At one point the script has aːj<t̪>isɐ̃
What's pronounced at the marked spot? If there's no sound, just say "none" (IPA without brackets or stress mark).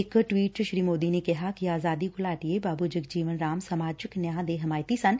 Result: t̪